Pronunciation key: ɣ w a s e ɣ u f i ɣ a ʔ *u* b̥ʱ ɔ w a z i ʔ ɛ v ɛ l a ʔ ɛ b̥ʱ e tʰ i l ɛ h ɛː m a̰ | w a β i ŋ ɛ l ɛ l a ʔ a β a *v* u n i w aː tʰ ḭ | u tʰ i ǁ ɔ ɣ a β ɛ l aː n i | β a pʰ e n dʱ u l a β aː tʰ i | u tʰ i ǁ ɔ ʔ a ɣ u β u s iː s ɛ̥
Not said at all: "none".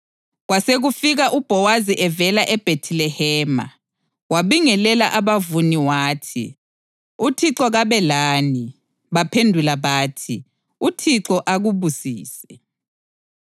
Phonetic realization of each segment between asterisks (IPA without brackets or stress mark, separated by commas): u, v